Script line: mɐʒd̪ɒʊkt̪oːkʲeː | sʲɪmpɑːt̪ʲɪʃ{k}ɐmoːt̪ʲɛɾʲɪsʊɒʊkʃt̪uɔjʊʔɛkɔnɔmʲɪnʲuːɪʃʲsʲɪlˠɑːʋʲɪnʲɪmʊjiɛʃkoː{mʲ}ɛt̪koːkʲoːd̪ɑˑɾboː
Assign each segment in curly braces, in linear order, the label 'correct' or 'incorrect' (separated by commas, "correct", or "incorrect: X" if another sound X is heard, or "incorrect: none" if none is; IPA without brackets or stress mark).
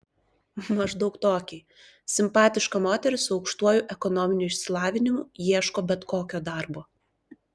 correct, incorrect: bʲ